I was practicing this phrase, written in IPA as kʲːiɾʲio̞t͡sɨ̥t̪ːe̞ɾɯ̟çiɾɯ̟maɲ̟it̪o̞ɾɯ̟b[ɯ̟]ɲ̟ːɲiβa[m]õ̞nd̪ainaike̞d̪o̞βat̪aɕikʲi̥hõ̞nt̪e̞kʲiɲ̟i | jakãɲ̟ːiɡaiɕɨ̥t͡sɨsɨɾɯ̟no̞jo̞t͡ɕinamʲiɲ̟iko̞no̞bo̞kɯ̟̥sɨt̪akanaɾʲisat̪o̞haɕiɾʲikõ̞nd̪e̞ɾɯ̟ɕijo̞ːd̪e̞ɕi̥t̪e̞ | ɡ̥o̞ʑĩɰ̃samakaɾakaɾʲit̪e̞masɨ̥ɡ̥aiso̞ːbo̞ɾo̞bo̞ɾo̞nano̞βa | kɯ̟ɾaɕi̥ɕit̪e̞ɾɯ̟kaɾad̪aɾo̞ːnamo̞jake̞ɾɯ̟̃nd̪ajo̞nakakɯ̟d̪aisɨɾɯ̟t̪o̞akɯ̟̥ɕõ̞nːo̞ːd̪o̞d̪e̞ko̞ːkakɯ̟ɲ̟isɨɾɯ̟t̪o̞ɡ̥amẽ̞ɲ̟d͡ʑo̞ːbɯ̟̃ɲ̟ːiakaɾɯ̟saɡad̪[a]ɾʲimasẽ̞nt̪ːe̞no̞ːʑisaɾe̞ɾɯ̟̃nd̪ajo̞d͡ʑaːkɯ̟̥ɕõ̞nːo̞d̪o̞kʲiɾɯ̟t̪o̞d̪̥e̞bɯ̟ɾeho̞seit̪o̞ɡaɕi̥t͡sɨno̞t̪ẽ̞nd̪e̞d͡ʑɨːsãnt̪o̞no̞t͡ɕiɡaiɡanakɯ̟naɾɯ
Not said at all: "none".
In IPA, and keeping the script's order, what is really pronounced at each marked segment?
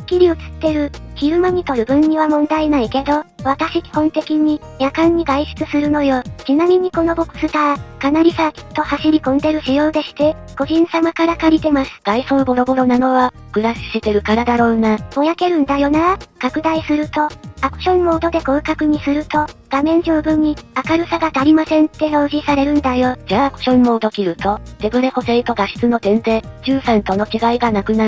ɯ̟̃, m, a

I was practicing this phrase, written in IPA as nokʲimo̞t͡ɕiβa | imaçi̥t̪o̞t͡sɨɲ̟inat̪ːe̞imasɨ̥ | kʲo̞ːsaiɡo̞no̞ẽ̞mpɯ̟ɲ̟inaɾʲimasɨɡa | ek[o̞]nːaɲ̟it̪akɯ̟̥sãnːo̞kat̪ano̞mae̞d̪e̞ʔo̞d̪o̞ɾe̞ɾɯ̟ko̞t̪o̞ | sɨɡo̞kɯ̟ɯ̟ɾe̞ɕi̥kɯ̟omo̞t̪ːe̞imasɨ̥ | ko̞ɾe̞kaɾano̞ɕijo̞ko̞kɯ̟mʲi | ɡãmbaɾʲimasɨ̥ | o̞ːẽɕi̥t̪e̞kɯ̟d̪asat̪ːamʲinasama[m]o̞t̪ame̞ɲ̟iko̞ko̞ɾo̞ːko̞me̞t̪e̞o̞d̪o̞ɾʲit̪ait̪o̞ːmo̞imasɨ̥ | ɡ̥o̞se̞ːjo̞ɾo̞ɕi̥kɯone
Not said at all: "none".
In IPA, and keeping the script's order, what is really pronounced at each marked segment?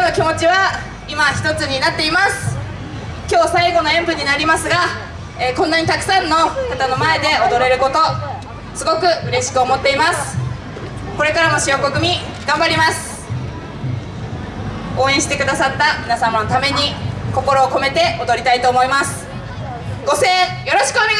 õ̞, n

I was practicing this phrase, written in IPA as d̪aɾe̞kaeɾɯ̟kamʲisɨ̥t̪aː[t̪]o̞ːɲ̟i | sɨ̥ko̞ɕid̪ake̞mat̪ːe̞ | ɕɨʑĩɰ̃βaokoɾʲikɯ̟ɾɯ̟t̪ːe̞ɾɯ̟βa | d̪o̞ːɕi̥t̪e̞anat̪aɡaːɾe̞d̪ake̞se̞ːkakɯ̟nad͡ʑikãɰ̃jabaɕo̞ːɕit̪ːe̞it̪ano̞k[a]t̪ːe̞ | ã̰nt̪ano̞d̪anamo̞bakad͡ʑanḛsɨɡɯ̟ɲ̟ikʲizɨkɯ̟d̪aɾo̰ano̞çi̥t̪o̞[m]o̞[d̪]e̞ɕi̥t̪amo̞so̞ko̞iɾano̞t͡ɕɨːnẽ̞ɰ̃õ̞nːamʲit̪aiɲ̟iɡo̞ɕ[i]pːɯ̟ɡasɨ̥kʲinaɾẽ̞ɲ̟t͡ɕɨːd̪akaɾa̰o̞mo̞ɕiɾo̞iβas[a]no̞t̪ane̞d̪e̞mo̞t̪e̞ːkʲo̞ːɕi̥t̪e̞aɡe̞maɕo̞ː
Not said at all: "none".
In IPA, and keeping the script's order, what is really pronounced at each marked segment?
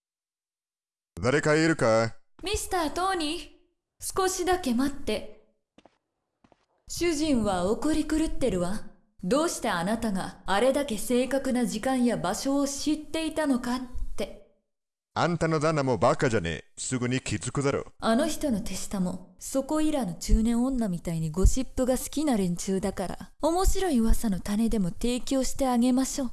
t̪, a, n, t̪, i, a

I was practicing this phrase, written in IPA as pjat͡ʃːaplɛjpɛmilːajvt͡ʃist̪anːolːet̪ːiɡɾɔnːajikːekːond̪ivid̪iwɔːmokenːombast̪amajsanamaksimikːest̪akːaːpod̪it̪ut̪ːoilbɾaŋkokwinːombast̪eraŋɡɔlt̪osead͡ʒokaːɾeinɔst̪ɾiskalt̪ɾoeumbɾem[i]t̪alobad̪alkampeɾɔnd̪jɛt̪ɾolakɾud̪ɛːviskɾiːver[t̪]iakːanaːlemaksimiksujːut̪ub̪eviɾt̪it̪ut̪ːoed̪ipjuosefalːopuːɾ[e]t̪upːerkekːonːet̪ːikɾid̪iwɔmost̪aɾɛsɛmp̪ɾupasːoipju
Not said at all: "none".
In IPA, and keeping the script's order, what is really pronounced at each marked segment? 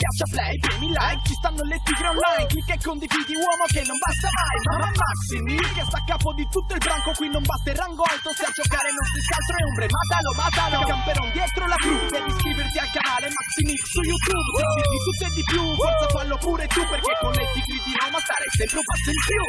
a, t̪, e

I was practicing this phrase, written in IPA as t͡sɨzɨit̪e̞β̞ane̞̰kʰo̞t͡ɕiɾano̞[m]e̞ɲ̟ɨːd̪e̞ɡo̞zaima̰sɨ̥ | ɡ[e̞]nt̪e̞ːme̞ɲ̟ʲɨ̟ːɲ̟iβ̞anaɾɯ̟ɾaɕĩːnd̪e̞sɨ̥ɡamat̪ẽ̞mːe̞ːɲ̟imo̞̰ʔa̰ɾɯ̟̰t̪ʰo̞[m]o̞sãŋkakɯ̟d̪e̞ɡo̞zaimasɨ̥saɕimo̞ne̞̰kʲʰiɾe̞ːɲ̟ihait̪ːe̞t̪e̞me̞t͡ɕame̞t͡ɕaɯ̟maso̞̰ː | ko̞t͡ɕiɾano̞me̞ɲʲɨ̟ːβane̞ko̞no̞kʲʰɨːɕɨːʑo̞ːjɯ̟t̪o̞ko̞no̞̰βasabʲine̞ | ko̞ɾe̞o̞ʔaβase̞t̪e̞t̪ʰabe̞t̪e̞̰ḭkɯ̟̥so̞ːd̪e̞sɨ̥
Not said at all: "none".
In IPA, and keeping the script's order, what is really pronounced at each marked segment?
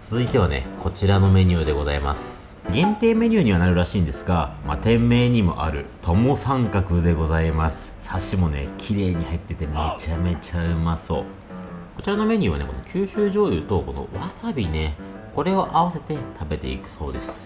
m, ẽ̞, m

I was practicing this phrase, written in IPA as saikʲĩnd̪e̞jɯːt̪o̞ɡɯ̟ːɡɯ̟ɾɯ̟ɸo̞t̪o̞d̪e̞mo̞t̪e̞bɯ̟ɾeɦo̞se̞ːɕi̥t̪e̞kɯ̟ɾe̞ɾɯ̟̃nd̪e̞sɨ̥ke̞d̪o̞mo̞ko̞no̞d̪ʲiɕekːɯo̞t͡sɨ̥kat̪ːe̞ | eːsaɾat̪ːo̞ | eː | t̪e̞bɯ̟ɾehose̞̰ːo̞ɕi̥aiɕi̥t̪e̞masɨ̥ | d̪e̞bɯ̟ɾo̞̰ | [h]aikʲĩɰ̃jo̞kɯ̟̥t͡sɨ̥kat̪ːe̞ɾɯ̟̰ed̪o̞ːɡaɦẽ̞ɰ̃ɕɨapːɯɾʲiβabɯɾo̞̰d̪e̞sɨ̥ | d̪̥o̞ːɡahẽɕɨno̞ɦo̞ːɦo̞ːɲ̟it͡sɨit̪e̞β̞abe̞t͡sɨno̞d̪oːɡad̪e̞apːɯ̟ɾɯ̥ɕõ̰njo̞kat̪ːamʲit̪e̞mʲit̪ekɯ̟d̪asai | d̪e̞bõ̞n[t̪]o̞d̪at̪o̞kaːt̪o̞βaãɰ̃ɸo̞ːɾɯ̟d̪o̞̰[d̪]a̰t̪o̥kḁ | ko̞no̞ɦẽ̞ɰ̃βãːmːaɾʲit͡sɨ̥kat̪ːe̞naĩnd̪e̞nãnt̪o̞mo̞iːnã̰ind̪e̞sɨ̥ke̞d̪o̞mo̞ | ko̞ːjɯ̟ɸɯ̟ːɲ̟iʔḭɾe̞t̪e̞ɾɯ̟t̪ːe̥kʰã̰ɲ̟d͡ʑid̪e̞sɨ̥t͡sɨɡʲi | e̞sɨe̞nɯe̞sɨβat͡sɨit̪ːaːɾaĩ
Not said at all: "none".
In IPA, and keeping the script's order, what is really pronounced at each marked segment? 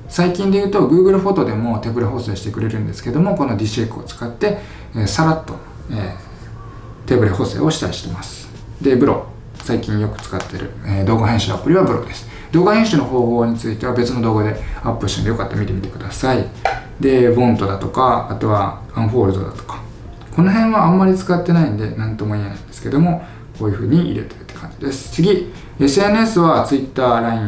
s, t̪, d̪

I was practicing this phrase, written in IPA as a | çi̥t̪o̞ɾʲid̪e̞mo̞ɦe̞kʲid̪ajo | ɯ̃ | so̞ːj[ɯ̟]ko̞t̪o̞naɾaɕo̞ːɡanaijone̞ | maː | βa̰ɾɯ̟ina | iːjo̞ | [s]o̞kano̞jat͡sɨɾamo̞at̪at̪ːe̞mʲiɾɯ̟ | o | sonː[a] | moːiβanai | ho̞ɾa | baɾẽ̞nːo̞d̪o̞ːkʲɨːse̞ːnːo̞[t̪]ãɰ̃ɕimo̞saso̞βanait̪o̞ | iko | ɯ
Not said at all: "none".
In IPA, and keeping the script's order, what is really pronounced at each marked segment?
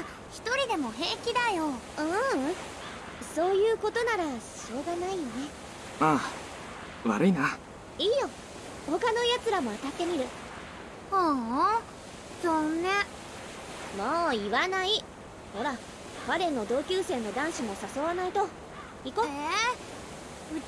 ɯ̟ː, h, a, d̪

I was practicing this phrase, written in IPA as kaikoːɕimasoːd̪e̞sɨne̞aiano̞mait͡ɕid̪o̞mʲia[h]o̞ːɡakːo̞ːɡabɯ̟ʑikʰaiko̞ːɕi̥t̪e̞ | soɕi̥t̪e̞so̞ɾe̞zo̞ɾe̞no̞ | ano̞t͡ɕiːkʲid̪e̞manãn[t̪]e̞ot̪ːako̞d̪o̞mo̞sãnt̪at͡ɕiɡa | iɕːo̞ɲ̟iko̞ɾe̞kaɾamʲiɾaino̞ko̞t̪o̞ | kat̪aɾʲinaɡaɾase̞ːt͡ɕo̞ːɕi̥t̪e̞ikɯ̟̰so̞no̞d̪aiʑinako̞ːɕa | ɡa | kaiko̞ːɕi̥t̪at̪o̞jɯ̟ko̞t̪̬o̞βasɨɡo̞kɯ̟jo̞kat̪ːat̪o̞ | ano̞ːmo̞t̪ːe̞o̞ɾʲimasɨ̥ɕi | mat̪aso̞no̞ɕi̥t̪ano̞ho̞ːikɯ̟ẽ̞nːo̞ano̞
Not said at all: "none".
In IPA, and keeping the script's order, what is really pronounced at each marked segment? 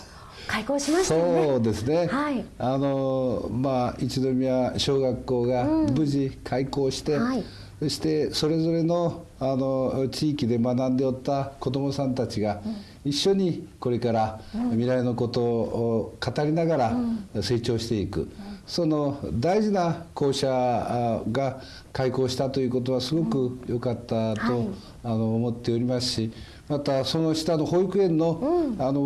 ɕ, d̪

